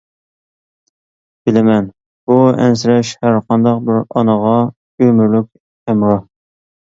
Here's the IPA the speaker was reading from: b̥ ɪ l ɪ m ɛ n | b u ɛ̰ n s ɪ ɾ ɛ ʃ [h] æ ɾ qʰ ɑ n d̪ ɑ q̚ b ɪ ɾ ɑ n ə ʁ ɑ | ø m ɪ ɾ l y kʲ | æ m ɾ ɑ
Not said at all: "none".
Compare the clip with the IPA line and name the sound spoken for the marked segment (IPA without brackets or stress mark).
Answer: h